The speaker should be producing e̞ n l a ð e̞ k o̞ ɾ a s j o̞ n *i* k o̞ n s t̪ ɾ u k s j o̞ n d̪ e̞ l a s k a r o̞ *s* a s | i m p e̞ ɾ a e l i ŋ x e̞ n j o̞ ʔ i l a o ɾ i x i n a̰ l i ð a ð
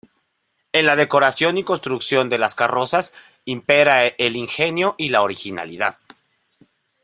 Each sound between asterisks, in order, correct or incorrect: correct, correct

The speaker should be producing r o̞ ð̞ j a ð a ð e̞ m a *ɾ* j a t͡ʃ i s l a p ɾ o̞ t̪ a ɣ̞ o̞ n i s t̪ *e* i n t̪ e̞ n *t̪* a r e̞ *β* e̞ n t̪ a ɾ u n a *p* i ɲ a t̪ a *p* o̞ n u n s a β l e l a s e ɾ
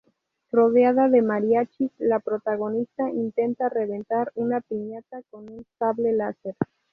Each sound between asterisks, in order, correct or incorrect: correct, incorrect, correct, correct, correct, incorrect

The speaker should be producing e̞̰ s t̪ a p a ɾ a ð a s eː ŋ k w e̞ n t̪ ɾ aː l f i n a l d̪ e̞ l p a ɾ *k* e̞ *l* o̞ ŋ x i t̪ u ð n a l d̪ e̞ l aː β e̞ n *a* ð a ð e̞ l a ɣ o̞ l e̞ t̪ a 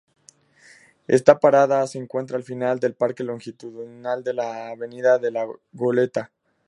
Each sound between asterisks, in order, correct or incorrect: correct, correct, incorrect

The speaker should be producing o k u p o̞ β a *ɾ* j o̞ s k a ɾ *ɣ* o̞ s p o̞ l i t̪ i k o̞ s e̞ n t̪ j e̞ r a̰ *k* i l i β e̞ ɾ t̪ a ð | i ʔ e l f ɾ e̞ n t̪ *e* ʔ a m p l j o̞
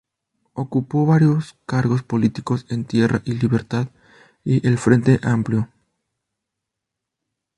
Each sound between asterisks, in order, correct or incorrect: correct, correct, incorrect, correct

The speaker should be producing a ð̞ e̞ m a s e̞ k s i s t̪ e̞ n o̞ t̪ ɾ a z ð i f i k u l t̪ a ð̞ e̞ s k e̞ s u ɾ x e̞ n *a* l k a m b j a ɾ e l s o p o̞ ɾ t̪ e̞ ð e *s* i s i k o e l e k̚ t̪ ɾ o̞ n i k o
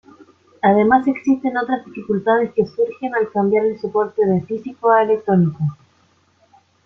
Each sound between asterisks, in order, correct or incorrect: correct, incorrect

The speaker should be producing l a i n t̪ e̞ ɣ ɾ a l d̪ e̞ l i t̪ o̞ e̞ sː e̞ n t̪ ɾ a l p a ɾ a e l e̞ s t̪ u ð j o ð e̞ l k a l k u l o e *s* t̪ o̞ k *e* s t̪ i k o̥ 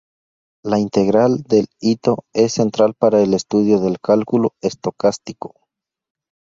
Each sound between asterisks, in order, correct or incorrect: correct, incorrect

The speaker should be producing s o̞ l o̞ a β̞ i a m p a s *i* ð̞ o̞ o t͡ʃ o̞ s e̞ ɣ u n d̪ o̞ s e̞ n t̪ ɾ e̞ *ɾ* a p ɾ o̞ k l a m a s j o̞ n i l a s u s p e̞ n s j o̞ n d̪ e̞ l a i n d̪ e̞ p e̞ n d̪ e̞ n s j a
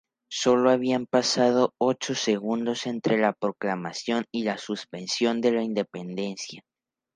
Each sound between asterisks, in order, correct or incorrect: incorrect, incorrect

